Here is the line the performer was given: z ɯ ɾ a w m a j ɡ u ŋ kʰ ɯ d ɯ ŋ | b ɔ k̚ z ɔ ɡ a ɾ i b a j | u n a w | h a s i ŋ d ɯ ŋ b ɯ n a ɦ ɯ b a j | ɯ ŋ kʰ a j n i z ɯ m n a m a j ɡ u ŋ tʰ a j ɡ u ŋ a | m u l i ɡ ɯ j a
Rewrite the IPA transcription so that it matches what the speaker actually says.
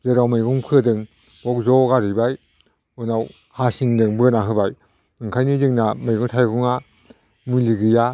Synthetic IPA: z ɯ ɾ a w m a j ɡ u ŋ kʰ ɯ d ɯ ŋ | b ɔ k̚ z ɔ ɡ a ɾ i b a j | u n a w | h a s i ŋ d ɯ ŋ b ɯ n a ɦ ɯ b a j | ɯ ŋ kʰ a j n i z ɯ ŋ n a m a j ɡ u ŋ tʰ a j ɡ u ŋ a | m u l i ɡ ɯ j a